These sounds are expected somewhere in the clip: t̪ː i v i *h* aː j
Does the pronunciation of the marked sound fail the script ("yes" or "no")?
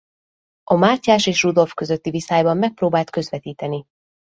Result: yes